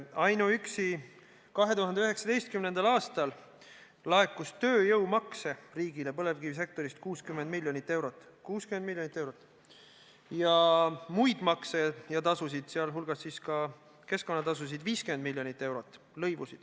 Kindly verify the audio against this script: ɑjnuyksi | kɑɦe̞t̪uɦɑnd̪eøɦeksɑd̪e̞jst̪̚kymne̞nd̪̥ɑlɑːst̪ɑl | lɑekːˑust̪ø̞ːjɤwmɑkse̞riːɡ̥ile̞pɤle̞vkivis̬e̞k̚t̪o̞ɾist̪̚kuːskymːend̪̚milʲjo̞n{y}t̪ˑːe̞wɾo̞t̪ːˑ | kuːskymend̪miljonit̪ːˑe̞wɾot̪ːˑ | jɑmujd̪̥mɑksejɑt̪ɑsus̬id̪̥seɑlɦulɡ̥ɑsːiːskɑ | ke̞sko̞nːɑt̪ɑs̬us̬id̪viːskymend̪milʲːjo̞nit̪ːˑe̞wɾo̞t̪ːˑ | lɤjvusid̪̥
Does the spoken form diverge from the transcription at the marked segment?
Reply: yes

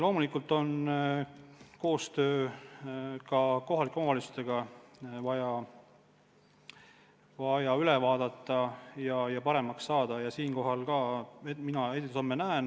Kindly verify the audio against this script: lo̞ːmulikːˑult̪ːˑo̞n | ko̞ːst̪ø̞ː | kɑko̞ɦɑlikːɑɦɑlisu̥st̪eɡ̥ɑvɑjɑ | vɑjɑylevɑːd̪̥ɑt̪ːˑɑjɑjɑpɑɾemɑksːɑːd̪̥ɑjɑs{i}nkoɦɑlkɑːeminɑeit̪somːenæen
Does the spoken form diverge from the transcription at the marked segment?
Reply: yes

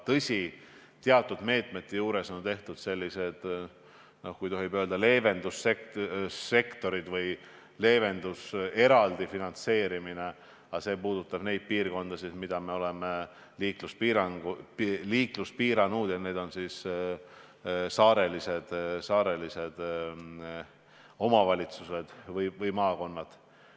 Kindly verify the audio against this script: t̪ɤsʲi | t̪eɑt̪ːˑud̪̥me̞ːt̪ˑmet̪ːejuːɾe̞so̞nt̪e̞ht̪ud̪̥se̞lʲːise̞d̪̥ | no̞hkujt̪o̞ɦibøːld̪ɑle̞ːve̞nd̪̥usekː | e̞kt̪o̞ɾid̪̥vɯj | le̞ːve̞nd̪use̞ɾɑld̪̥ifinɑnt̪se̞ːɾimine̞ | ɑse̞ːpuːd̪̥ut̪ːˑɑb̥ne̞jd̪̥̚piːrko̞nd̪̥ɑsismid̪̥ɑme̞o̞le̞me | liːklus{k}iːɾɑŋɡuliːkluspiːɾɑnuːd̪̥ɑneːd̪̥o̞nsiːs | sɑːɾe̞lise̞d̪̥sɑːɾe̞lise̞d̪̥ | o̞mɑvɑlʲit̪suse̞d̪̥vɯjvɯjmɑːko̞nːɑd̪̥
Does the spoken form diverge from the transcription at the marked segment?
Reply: yes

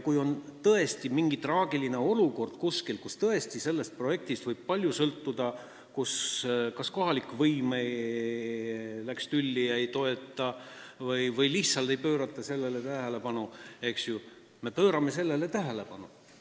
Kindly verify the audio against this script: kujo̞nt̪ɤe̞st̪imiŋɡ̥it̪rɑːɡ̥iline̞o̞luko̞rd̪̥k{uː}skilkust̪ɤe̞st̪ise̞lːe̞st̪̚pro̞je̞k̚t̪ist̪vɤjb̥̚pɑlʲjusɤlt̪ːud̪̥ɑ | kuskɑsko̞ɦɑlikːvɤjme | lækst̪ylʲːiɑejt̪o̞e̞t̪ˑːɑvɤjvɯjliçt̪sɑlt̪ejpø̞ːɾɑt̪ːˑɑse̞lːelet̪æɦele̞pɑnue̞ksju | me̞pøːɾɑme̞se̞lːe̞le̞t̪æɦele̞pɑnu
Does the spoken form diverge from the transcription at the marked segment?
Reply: yes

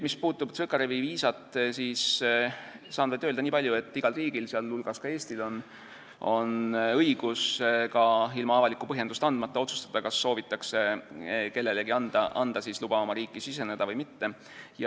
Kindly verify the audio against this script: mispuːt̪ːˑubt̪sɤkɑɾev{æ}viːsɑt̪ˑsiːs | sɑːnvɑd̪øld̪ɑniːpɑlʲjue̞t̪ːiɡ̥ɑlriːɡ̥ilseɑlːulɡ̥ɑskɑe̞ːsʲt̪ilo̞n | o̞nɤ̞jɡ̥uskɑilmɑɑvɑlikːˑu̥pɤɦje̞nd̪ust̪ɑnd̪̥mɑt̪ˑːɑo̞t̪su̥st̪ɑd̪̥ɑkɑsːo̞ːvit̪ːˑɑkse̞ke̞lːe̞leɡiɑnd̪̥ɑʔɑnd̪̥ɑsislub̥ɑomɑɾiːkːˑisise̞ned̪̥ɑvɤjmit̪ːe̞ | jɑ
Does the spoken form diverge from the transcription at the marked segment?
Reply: yes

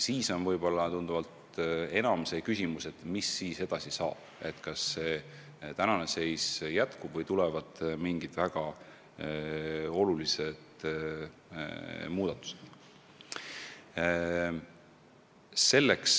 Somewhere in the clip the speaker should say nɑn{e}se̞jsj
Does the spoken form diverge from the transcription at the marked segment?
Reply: no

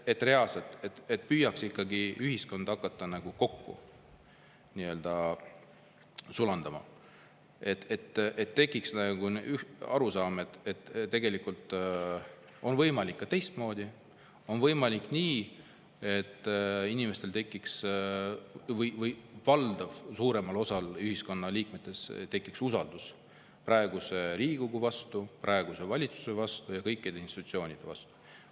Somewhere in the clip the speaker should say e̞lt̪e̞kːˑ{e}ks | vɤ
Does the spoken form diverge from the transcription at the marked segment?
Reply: yes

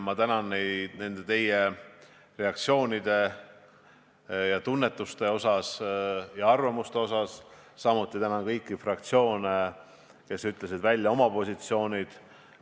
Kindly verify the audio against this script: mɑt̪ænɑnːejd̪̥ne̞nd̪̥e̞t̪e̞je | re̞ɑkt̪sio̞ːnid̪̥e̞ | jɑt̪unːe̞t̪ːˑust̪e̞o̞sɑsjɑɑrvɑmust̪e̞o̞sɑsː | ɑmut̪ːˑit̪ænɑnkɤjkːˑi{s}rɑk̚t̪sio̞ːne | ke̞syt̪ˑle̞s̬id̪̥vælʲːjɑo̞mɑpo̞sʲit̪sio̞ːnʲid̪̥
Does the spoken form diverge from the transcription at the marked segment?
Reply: yes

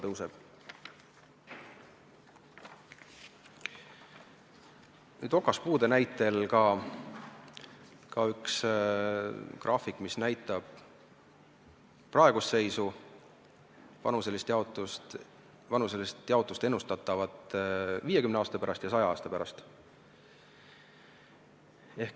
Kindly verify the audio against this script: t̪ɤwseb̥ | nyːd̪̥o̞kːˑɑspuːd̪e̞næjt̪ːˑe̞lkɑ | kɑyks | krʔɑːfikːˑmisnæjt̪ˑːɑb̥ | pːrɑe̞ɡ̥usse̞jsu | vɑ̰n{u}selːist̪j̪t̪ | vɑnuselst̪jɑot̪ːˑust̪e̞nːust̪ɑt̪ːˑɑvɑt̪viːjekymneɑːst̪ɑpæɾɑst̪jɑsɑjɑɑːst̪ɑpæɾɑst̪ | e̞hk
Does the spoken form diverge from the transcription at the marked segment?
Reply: no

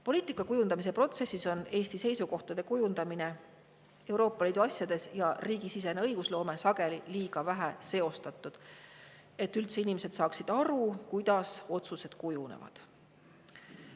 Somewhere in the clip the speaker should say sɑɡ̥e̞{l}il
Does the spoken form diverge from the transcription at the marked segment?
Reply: no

